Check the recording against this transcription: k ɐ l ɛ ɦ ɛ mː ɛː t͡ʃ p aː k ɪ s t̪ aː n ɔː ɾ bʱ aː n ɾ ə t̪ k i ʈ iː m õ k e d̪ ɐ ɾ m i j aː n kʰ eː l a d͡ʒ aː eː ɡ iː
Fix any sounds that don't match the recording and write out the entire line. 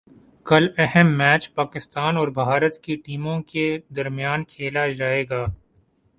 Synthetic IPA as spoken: k ɐ l ɛ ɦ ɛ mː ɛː t͡ʃ p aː k ɪ s t̪ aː n ɔː ɾ bʱ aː ɾ ə t̪ k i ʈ iː m õ k e d̪ ɐ ɾ m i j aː n kʰ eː l a d͡ʒ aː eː ɡ aː